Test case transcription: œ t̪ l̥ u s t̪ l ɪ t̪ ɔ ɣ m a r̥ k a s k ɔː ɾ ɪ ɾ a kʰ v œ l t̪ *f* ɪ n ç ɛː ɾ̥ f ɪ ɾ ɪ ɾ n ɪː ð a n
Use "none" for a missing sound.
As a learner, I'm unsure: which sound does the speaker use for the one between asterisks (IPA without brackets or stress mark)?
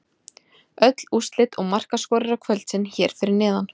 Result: s